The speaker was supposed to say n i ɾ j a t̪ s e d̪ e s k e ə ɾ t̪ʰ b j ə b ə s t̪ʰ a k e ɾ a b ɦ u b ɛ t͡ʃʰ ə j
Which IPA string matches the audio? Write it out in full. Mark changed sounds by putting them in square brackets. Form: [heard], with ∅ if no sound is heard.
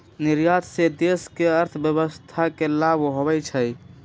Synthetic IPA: n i ɾ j a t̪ s e d̪ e s k e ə ɾ t̪ʰ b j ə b ə s t̪ʰ a k e [l] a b ɦ [o] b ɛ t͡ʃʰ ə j